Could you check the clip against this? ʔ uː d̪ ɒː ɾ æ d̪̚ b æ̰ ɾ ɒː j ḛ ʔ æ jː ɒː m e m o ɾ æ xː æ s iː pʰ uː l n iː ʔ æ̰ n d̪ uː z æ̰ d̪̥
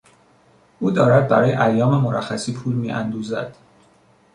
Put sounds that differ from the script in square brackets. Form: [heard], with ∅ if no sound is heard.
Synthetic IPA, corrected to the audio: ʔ uː d̪ ɒː ɾ æ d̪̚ b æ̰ ɾ ɒː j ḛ ʔ æ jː ɒː m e m o ɾ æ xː æ s iː pʰ uː l [m] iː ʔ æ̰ n d̪ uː z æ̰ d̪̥